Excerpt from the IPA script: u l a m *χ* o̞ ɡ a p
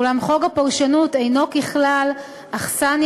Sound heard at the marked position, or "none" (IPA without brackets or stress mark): χ